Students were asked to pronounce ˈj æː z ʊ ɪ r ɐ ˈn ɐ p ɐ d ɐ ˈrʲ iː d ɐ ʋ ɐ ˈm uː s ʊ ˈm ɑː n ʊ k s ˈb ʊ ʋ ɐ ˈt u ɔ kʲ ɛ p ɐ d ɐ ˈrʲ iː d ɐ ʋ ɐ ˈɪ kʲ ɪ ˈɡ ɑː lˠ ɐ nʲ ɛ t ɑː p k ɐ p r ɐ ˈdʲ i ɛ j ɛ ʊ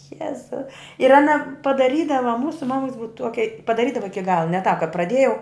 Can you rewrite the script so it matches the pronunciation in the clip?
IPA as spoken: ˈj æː z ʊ ɪ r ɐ ˈn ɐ p ɐ d ɐ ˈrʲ iː d ɐ ʋ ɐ ˈm uː s ʊ ˈm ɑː m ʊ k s ˈb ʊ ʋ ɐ ˈt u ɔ kʲ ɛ p ɐ d ɐ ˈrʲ iː d ɐ ʋ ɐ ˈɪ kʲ ɪ ˈɡ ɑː lˠ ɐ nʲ ɛ t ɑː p k ɐ p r ɐ ˈdʲ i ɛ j ɛ ʊ